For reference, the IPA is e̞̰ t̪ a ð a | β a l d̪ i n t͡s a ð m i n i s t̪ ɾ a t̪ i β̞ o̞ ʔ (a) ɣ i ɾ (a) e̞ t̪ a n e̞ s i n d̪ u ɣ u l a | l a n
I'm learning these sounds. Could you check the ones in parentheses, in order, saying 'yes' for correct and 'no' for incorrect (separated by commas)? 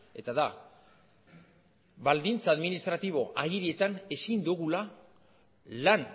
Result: yes, no